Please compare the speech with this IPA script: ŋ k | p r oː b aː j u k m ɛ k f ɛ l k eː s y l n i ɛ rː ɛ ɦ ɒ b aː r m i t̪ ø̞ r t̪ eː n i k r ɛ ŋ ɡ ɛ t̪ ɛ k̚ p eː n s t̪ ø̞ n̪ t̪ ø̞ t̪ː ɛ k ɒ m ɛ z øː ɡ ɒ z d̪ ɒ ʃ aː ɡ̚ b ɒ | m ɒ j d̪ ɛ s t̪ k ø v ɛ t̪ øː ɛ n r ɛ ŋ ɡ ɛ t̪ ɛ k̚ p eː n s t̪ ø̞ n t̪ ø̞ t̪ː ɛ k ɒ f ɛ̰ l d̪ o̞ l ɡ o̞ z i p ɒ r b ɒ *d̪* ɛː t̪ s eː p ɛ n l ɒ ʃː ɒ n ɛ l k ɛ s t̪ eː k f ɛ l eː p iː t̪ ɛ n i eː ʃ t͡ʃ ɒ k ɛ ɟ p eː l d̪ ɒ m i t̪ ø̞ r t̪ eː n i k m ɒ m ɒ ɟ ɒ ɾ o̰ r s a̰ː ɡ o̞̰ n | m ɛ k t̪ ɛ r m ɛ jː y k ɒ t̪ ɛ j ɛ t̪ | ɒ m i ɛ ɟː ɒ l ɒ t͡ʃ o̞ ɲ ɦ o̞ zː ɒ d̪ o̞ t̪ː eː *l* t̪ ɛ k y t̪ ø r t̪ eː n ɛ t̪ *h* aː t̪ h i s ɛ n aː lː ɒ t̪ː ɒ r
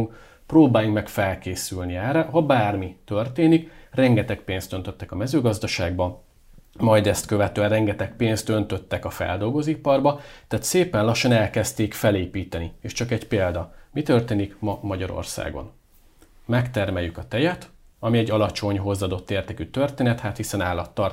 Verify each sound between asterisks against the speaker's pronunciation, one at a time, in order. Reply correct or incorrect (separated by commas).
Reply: incorrect, incorrect, correct